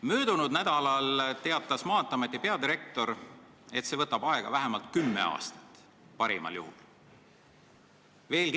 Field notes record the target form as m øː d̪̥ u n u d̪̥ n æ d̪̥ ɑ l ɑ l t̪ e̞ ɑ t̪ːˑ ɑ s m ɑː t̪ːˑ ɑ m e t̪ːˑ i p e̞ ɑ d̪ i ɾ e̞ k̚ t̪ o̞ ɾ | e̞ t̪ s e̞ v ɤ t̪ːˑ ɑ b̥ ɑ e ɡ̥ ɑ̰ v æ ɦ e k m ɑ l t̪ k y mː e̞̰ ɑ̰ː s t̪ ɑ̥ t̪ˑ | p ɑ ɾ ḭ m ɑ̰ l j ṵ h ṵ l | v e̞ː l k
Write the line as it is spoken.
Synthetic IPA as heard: m øː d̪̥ u n u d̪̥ n æ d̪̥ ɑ l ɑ l t̪ e̞ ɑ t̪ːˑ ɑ s m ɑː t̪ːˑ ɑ m e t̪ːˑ i p e̞ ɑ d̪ i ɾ e̞ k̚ t̪ o̞ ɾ | e̞ t̪ s e̞ v ɤ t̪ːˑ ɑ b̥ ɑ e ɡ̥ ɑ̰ v æ ɦ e m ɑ l t̪ k y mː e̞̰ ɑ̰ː s t̪ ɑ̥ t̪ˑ | p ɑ ɾ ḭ m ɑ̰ l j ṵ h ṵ l | v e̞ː l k